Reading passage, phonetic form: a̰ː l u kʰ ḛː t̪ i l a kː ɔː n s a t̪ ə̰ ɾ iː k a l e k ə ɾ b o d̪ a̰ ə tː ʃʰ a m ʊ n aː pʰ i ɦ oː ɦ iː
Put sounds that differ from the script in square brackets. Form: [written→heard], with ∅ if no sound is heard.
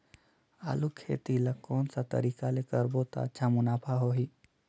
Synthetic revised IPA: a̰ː l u kʰ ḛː t̪ i l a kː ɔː n s a t̪ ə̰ ɾ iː k a l e k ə ɾ b o [d̪→t̪] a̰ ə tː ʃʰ a m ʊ n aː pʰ [i→a] ɦ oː ɦ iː

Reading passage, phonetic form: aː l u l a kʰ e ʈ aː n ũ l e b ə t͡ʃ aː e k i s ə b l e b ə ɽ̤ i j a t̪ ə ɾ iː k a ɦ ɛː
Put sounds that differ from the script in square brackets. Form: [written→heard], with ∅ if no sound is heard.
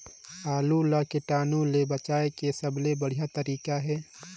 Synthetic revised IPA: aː l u l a [kʰ→k] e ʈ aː n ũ l e b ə t͡ʃ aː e k [i→e] s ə b l e b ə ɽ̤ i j a t̪ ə ɾ iː k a ɦ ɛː

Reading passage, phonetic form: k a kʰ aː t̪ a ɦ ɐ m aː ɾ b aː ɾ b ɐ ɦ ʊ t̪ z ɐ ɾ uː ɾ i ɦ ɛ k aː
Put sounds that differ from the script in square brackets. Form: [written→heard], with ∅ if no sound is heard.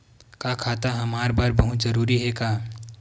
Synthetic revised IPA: k a kʰ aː t̪ a ɦ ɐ m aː ɾ b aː ɾ b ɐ ɦ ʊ t̪ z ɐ ɾ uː ɾ i ɦ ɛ k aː

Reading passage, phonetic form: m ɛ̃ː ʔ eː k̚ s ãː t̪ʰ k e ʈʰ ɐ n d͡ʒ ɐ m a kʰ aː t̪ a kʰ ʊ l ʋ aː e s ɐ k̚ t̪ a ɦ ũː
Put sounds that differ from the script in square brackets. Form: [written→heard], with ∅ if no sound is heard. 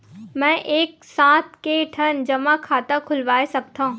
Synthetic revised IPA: m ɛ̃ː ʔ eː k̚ s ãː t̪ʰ k e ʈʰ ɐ n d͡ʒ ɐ m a kʰ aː t̪ a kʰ ʊ l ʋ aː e s ɐ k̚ t̪ a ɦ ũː

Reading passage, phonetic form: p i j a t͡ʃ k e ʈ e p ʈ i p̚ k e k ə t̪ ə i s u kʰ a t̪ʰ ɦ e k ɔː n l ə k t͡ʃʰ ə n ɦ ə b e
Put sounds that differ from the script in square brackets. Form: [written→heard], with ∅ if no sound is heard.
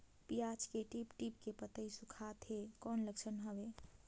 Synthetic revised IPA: p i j a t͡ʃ k e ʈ [e→i] p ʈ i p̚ k e [k→p] ə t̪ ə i s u kʰ a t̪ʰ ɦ e k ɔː n l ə k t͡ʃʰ ə n ɦ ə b e

